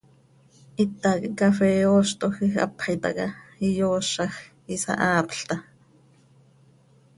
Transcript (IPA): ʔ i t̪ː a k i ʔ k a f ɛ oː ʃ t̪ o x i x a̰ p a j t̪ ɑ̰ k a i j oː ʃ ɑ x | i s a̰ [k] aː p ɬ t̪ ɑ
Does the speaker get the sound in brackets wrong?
yes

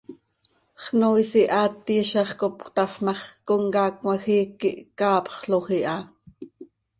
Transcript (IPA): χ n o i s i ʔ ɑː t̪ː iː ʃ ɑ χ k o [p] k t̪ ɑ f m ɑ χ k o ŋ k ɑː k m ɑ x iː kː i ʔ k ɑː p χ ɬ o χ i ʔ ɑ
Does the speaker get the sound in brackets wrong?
no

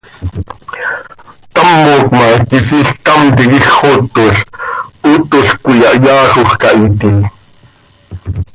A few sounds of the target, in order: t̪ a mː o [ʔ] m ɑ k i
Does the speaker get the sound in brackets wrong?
yes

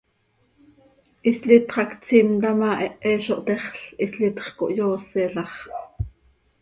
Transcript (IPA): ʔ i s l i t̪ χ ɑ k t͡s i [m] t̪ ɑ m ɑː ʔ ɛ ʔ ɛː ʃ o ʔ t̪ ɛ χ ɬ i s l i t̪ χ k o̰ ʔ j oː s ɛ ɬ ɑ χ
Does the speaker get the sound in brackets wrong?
no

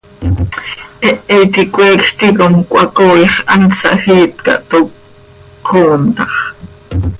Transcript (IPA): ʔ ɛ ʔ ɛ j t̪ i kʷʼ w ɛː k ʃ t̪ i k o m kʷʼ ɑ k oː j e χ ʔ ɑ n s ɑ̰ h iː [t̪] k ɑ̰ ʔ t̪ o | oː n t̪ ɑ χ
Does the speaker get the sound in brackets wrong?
no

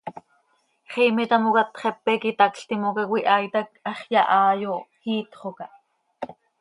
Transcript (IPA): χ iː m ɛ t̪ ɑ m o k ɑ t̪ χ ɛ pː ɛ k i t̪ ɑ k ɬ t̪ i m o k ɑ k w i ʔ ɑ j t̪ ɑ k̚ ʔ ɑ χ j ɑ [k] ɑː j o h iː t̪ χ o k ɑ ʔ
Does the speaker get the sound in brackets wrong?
yes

